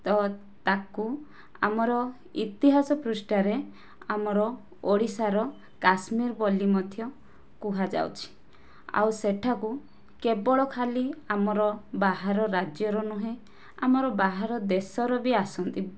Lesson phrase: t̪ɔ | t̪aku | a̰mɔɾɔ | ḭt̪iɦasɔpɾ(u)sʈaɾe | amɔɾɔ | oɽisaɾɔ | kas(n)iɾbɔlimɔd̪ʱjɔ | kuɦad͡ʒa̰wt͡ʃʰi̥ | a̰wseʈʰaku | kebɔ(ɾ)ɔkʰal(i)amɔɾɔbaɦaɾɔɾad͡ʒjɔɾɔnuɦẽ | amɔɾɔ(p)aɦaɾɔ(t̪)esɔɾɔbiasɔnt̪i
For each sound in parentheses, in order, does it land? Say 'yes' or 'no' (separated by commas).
yes, no, no, yes, no, no